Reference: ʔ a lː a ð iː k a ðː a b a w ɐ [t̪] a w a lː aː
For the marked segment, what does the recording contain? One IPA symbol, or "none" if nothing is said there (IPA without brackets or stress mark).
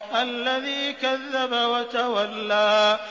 t̪